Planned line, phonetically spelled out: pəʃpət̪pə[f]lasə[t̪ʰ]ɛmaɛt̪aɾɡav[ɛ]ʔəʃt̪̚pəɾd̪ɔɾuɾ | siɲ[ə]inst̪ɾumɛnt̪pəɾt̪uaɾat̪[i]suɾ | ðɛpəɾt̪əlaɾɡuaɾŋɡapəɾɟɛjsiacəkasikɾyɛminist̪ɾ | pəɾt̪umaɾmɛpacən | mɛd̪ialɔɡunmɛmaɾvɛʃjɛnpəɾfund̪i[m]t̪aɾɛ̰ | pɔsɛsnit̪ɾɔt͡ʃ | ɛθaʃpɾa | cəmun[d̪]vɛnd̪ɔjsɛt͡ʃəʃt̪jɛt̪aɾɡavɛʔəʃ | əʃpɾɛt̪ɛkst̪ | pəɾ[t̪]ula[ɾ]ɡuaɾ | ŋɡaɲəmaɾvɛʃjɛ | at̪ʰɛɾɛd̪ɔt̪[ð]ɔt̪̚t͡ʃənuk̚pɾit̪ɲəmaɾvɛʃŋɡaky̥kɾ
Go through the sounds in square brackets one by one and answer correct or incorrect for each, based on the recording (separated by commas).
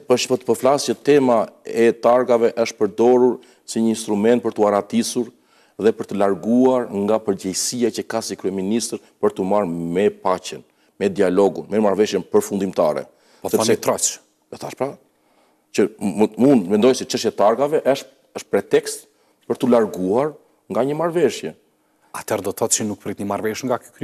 correct, incorrect, correct, correct, correct, correct, correct, correct, correct, incorrect